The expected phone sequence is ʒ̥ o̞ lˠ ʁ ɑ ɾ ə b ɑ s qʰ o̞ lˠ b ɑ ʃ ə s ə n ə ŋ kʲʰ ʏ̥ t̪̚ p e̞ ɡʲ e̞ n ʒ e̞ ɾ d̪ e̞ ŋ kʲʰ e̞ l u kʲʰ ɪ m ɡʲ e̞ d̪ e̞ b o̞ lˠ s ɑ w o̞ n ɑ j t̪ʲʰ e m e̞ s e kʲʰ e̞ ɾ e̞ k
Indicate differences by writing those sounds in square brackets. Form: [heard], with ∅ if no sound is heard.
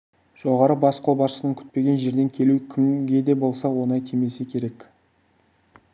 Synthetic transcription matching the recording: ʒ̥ o̞ [∅] ʁ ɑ ɾ ə b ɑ s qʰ o̞ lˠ b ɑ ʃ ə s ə n ə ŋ kʲʰ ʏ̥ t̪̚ p e̞ ɡʲ e̞ n ʒ e̞ ɾ d̪ e̞ ŋ kʲʰ e̞ l u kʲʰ ɪ m ɡʲ e̞ d̪ e̞ b o̞ lˠ s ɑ w o̞ n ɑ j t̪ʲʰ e m e̞ s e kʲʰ e̞ ɾ e̞ k